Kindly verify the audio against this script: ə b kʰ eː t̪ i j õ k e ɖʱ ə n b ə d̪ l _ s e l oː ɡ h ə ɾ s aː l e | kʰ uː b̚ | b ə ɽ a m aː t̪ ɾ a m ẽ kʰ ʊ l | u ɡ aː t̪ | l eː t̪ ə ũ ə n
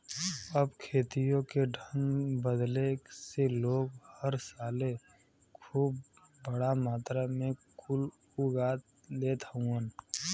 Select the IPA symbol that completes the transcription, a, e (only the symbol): e